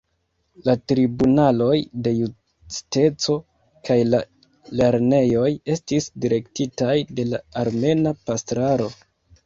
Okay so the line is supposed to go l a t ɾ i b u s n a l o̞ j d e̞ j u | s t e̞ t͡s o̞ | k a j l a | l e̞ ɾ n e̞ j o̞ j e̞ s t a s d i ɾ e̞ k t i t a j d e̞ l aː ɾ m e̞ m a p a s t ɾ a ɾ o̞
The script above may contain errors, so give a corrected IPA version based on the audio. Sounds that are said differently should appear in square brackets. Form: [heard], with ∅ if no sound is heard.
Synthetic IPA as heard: l a t ɾ i b u [∅] n a l o̞ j d e̞ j u | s t e̞ t͡s o̞ | k a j l a | l e̞ ɾ n e̞ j o̞ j e̞ s t [i] s d i ɾ e̞ k t i t a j d e̞ l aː ɾ m e̞ [n] a p a s t ɾ a ɾ o̞